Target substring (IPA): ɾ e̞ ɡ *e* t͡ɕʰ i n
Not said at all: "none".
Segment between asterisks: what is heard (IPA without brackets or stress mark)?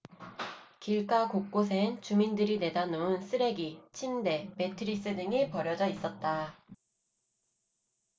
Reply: i